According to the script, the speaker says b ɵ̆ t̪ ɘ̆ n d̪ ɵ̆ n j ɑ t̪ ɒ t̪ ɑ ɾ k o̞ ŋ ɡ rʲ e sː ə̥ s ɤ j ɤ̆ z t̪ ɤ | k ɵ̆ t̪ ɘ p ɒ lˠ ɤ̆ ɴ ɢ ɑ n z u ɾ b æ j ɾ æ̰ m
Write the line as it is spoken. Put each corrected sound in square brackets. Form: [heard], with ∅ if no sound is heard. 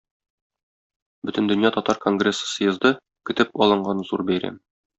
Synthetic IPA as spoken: b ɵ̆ t̪ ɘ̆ n d̪ ɵ̆ n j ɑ t̪ ɒ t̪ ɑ ɾ k o̞ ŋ ɡ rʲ e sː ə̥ s ɤ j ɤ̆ z [d̪] ɤ | k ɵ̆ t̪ ɘ p ɒ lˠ ɤ̆ ɴ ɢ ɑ n z u ɾ b æ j ɾ æ̰ m